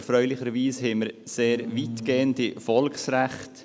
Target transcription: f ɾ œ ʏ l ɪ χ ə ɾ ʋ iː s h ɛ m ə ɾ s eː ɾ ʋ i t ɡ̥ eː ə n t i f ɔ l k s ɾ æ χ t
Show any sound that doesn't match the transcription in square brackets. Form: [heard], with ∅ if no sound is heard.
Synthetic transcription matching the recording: f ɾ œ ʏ l ɪ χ ə ɾ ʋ iː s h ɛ m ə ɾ s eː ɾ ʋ i t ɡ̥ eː ə n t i f ɔ l k s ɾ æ χ t